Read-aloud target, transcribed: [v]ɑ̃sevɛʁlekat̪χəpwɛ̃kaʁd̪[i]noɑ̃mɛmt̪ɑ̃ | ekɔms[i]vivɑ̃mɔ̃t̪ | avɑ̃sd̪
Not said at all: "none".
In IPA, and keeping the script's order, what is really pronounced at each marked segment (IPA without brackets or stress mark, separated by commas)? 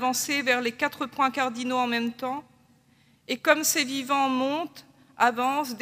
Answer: v, i, e